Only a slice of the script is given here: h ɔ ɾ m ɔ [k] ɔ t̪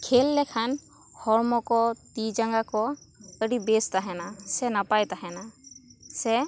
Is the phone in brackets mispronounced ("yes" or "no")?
no